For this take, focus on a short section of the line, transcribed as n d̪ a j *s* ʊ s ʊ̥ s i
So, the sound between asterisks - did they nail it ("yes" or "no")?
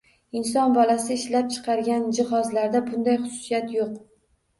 no